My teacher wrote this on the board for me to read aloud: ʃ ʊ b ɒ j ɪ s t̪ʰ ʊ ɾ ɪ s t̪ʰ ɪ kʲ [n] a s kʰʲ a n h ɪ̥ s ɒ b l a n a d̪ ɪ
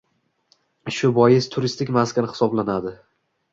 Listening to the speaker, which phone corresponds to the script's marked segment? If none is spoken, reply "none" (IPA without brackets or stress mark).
m